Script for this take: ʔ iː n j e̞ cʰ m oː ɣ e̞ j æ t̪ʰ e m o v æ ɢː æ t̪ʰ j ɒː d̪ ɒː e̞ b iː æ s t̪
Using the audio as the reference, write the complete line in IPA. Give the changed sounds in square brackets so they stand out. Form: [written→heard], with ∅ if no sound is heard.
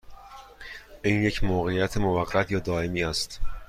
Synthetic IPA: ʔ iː n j e̞ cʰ m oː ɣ e̞ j æ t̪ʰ e m o v æ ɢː æ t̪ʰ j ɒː d̪ ɒː e̞ [b→m] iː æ s t̪